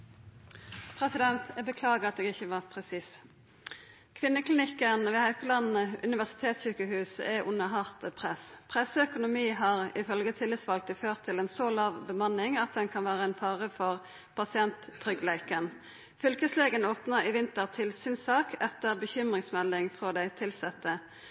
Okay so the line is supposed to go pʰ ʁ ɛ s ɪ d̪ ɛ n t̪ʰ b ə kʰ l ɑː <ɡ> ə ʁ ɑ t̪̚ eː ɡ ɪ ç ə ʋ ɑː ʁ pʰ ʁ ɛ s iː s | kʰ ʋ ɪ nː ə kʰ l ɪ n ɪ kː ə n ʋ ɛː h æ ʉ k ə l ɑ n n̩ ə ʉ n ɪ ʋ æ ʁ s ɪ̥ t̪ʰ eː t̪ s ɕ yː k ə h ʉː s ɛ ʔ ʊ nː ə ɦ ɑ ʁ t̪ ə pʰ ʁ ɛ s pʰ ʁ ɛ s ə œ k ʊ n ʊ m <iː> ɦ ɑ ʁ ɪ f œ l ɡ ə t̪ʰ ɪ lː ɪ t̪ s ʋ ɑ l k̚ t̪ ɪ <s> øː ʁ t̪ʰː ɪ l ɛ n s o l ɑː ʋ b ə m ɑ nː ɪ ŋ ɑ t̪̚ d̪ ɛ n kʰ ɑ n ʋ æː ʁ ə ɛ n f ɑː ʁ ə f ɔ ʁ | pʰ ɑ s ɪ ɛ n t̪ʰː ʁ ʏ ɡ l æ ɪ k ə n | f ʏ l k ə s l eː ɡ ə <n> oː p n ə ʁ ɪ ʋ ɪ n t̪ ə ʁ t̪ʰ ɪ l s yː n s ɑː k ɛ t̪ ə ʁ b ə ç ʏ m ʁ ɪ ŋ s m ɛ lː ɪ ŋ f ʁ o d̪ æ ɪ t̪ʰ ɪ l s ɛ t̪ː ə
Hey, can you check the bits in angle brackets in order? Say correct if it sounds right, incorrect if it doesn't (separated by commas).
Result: correct, correct, incorrect, correct